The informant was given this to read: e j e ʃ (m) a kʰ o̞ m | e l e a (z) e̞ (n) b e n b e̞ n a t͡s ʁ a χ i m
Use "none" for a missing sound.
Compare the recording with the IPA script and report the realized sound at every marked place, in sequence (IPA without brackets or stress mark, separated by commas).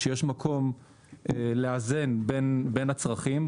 m, z, n